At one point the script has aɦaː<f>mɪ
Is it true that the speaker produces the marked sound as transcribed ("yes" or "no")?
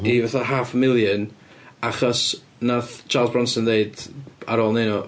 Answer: yes